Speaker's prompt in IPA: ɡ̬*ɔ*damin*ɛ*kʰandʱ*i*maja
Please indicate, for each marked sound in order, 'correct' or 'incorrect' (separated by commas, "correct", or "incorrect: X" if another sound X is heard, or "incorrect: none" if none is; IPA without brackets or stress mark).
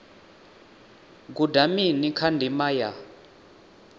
incorrect: u, incorrect: i, correct